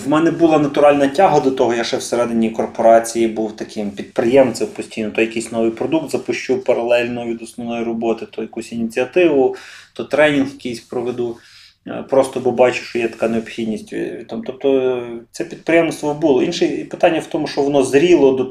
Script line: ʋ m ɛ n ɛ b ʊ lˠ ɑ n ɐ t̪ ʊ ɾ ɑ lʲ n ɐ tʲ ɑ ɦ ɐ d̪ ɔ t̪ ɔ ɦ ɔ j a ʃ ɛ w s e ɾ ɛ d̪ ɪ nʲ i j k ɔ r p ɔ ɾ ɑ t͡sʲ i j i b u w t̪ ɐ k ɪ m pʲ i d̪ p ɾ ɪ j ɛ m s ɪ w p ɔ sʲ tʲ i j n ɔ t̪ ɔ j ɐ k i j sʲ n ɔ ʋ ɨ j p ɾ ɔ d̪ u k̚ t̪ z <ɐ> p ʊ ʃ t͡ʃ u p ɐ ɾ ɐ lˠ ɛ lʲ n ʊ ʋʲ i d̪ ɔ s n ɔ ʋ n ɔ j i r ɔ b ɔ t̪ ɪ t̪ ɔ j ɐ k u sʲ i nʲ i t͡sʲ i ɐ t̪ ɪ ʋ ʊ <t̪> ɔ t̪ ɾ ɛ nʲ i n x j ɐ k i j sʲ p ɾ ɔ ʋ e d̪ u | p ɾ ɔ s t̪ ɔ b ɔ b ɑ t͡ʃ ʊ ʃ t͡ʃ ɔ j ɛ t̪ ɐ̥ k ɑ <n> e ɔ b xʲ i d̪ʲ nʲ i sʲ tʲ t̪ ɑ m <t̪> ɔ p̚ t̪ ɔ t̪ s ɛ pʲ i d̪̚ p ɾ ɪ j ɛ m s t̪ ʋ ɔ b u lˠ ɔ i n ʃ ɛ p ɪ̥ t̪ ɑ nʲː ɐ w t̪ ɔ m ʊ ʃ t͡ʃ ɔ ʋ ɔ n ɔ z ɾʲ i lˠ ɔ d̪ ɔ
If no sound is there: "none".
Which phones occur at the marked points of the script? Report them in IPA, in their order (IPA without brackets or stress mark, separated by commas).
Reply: ɐ, t̪, n, t̪